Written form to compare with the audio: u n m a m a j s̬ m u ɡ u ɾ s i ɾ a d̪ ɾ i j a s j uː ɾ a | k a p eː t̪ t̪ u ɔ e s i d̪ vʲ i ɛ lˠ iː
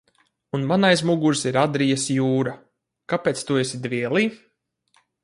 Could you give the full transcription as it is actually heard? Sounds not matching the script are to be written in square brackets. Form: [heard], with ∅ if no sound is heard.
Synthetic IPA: u n m a [n] a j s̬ m u ɡ u ɾ s i ɾ a d̪ ɾ i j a s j uː ɾ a | k a p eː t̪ t̪ u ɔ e s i d̪ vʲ i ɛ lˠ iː

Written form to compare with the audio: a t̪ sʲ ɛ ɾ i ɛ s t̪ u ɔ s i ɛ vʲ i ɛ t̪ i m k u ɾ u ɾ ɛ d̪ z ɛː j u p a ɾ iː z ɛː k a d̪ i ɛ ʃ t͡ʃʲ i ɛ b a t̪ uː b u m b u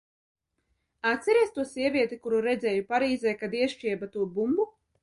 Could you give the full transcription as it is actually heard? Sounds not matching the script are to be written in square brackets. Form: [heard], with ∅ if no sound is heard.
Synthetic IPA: a t̪ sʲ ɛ ɾ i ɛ s t̪ u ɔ s i ɛ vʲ i ɛ t̪ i [∅] k u ɾ u ɾ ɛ d̪ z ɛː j u p a ɾ iː z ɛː k a d̪ i ɛ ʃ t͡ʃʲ i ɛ b a t̪ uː b u m b u

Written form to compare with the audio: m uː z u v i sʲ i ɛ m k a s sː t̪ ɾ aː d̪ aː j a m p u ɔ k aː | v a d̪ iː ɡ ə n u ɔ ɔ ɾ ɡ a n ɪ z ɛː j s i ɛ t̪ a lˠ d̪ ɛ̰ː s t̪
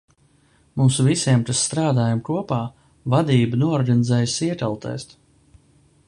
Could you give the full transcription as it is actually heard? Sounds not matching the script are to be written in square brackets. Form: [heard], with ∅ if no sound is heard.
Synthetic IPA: m uː [s] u v i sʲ i ɛ m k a s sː t̪ ɾ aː d̪ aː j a m [k] u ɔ [p] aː | v a d̪ iː [b] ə n u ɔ ɔ ɾ ɡ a n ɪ z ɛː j s i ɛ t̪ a lˠ [t̪] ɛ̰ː s t̪

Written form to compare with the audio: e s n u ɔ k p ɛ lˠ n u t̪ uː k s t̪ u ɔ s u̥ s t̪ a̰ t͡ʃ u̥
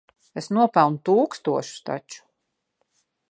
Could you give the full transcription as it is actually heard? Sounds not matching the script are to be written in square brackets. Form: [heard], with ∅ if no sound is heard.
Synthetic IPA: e s n u ɔ [∅] p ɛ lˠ n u t̪ uː k s t̪ u ɔ [ʃ] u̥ s t̪ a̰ t͡ʃ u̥

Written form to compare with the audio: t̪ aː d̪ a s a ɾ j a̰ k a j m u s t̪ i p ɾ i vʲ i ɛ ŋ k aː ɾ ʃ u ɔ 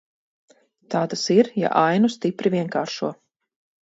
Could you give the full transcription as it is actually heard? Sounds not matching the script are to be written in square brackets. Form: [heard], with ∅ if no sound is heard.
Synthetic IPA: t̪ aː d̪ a s [i] ɾ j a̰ [ʔ] a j [n] u s t̪ i p ɾ i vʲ i ɛ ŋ k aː ɾ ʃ u ɔ

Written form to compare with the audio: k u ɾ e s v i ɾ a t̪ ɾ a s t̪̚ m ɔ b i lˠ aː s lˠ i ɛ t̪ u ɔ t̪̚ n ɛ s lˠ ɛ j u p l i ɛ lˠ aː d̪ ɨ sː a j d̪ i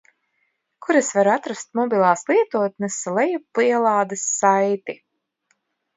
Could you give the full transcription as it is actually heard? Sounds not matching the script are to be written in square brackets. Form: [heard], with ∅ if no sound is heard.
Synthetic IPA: k u ɾ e s v [a] ɾ a t̪ ɾ a s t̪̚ m ɔ b i lˠ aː s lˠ i ɛ t̪ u ɔ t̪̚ n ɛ s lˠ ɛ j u p l i ɛ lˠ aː d̪ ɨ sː a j [t̪] i

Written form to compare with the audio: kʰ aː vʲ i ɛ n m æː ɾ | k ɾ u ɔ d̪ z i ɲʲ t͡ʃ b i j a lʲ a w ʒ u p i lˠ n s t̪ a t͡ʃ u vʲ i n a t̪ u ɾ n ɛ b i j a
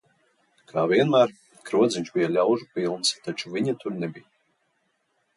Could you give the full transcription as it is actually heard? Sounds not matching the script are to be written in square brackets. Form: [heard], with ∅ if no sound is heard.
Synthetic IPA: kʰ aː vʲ i ɛ n m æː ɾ | k ɾ u ɔ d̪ z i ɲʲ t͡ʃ b i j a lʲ a w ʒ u p i lˠ n s t̪ a t͡ʃ u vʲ i [ɲ] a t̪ u ɾ n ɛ b i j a

